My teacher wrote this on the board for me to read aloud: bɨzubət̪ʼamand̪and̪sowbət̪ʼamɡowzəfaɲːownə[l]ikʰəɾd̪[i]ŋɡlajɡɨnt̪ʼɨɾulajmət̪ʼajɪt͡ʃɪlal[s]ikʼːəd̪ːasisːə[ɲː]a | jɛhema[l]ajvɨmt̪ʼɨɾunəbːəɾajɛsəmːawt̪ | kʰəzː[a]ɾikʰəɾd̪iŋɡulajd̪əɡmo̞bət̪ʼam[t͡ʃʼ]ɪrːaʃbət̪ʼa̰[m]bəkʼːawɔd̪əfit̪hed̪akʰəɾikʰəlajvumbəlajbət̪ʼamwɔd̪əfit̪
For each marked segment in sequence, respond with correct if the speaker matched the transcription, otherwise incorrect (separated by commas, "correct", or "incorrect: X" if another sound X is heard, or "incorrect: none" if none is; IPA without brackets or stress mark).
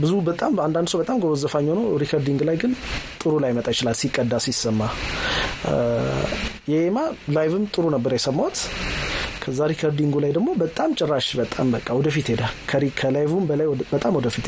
incorrect: ɾ, correct, correct, incorrect: mː, correct, correct, correct, correct